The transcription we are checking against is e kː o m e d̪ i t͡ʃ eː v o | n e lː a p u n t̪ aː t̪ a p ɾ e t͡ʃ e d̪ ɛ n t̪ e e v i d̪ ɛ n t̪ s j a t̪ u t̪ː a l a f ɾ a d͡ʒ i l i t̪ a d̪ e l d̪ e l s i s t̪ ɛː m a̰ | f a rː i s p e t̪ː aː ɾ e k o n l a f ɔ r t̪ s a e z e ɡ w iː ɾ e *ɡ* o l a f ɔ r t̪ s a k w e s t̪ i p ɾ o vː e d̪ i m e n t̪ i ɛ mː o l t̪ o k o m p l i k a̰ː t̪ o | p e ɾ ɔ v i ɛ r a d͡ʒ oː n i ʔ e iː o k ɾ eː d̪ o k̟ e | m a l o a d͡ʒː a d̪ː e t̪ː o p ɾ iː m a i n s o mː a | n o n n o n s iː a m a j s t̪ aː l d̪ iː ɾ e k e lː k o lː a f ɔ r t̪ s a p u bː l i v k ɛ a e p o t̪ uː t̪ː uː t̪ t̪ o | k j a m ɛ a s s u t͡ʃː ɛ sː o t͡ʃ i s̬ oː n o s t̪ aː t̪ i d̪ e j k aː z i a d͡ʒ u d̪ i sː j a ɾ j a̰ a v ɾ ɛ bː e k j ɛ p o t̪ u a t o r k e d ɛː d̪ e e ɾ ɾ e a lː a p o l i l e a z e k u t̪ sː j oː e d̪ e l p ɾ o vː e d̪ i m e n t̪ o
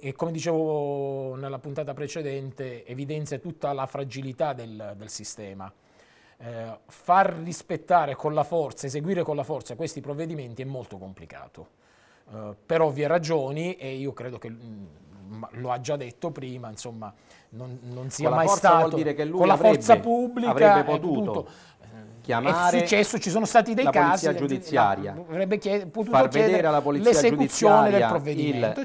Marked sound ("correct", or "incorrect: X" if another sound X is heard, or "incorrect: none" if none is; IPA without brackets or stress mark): incorrect: k